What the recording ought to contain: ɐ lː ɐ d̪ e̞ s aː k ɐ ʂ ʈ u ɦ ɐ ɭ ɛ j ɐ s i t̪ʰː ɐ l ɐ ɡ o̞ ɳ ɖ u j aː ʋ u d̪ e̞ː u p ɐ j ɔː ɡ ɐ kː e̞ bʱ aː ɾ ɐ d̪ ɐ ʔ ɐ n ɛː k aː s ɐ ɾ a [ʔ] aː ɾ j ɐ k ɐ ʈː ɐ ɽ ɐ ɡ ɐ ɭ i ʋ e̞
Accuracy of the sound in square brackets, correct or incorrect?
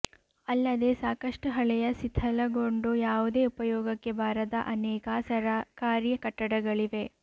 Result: incorrect